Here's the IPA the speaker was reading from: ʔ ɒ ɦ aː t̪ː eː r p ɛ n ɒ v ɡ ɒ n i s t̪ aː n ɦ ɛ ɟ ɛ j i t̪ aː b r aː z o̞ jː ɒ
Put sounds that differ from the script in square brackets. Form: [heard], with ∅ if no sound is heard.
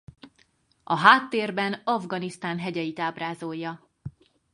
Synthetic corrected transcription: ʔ ɒ ɦ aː t̪ː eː r [b] ɛ n ɒ v ɡ ɒ n i s t̪ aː n ɦ ɛ ɟ ɛ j i t̪ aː b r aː z o̞ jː ɒ